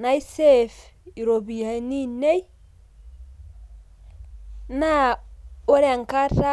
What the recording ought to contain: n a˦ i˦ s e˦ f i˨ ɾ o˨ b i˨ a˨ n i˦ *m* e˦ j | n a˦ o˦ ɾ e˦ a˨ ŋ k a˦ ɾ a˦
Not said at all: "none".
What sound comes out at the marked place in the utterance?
n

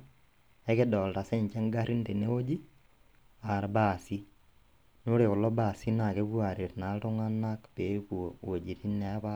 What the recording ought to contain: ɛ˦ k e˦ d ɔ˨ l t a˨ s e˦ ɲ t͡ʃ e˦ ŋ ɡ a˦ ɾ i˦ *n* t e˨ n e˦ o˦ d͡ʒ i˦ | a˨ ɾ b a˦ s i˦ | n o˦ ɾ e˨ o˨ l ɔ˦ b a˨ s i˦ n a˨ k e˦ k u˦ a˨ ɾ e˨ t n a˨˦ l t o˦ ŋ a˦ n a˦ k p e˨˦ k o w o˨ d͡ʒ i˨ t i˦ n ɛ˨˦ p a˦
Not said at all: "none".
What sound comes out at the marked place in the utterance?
n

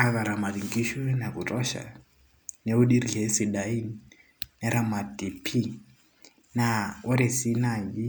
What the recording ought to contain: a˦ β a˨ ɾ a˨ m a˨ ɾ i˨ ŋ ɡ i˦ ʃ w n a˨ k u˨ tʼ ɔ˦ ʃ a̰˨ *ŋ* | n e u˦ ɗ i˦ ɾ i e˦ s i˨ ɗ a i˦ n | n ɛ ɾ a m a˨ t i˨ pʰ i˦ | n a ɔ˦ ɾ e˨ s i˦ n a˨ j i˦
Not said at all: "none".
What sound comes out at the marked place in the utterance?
none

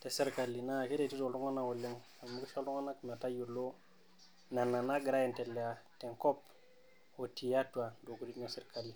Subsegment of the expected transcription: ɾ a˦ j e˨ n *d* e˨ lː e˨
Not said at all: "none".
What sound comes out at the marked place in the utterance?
t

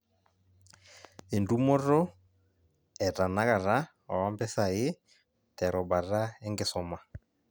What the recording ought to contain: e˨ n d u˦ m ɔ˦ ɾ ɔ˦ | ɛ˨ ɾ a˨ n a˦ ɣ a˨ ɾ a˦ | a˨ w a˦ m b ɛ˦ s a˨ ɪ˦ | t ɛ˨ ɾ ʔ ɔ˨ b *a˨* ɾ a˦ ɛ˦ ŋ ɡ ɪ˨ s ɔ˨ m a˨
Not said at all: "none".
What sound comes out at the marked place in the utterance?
a˨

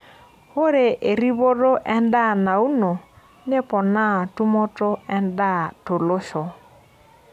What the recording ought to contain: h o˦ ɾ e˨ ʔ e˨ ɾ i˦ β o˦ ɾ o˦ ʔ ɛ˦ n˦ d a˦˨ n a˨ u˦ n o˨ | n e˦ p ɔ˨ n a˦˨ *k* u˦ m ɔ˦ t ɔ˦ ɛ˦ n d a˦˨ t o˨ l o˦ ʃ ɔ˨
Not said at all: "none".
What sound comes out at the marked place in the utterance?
t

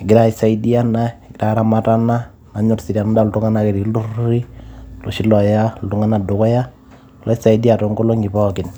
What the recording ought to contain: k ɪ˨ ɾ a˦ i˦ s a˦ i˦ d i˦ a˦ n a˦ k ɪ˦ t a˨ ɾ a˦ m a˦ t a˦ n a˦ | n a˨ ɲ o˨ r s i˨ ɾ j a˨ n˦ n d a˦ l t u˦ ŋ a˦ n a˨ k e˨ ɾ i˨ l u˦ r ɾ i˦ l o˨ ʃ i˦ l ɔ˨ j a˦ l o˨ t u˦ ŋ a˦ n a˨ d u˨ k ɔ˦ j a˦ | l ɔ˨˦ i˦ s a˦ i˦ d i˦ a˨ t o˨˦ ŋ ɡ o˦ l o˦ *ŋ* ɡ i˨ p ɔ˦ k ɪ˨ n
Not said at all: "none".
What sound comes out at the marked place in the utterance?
ŋ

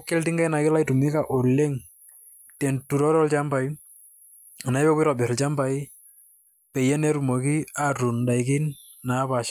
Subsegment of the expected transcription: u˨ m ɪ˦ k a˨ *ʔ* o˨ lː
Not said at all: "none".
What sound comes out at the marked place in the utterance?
ʔ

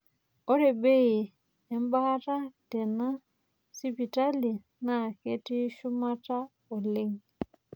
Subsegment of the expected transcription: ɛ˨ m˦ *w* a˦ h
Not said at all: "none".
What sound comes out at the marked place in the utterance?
b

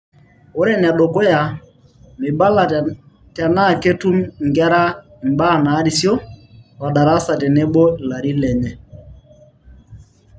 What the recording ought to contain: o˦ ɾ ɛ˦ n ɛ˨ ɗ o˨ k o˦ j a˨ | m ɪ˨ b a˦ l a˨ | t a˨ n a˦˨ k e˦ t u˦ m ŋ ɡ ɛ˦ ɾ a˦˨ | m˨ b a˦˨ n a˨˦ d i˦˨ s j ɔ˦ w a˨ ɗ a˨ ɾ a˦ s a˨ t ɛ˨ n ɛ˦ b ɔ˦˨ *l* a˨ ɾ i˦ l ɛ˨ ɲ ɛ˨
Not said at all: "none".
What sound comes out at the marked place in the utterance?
l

